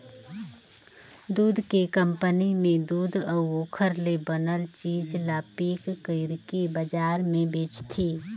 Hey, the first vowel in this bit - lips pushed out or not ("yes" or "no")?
yes